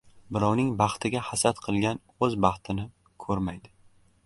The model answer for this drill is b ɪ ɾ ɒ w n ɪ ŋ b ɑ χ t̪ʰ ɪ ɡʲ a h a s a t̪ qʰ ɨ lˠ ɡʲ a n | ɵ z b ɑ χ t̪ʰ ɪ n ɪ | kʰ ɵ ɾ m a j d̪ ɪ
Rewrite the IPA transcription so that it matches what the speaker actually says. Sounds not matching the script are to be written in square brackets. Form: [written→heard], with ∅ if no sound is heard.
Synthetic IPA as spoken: b ɪ ɾ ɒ w n ɪ ŋ b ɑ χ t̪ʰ ɪ ɡʲ a h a s a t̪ qʰ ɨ lˠ ɡʲ a n | ɵ z b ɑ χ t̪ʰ ɪ n ɪ | kʰ ɵ ɾ m a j d̪ ɪ